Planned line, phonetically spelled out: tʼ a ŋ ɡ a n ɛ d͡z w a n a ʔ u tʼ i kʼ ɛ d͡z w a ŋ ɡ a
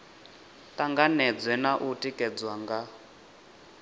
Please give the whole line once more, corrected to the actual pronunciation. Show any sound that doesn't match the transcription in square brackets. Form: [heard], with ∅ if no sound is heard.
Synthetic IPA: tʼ a ŋ ɡ a n ɛ d͡z w [ɛ] n a ʔ u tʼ i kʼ ɛ d͡z w a ŋ ɡ a